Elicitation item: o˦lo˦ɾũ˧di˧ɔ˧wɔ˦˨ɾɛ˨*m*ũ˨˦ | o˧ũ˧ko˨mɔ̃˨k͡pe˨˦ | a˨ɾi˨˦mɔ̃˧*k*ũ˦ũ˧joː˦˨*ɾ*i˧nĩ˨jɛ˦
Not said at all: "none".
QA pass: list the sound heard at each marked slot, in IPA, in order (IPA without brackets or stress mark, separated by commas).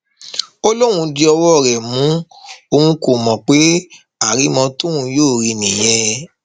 m, t, ɾ